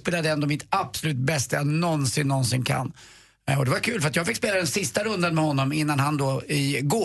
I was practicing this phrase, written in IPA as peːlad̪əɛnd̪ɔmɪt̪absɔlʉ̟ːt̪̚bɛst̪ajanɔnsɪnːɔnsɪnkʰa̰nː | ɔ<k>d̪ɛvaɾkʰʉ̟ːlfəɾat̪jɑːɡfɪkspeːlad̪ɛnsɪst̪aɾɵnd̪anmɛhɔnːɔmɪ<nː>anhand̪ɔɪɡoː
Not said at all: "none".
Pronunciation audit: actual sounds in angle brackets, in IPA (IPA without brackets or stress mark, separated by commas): none, nː